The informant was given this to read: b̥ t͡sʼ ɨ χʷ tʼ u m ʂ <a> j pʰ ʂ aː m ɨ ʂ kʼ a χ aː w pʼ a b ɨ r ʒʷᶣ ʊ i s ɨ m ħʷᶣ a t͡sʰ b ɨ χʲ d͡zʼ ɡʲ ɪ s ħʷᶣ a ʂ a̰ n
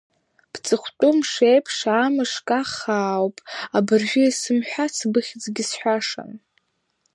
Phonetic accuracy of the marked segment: incorrect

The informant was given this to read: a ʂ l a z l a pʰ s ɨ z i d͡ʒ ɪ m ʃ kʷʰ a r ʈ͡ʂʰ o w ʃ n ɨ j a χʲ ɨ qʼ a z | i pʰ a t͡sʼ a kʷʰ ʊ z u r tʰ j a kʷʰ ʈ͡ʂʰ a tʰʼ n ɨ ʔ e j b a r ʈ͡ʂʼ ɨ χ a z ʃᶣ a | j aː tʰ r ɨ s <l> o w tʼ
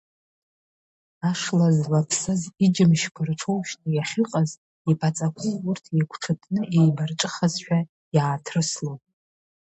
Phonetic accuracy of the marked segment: correct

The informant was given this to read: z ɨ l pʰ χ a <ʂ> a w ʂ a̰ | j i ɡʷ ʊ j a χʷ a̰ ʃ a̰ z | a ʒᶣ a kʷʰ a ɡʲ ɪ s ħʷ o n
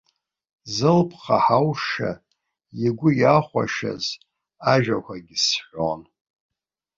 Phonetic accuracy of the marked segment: incorrect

